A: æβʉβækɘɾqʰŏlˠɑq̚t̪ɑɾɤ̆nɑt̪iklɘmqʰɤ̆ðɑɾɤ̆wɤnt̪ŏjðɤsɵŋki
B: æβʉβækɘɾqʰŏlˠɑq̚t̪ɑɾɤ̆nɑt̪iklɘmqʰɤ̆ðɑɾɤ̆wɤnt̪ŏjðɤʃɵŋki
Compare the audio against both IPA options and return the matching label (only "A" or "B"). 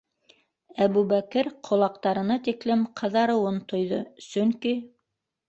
A